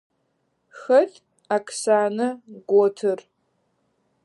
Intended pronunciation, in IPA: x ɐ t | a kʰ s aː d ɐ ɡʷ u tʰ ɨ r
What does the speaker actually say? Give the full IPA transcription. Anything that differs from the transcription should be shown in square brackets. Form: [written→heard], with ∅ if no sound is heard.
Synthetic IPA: x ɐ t | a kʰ s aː [d→n] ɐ ɡʷ [u→ɔ] tʰ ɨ r